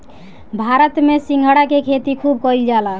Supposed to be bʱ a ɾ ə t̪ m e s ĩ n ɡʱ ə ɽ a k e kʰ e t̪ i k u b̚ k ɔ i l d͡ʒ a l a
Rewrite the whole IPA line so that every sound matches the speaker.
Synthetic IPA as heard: bʱ a ɾ ə t̪ m e s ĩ ŋ ɡʱ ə ɽ a k e kʰ e t̪ i kʰ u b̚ k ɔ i l d͡ʒ a l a